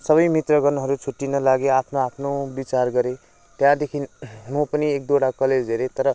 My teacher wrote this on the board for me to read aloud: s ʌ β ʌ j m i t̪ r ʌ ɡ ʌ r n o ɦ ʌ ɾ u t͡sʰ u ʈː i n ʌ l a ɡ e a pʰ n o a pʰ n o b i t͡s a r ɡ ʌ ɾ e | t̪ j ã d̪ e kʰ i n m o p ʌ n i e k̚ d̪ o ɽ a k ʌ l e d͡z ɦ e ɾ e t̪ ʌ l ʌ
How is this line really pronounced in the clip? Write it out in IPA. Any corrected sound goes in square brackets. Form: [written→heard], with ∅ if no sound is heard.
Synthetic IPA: s ʌ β ʌ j m i t̪ r ʌ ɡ ʌ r n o ɦ ʌ ɾ u t͡sʰ u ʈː i n ʌ l a ɡ e a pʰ n o a pʰ n o b i t͡s a r ɡ ʌ ɾ e | t̪ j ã d̪ e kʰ i n m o p ʌ n i e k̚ d̪ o ɽ a k ʌ l e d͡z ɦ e ɾ e t̪ ʌ [l→ɾ] ʌ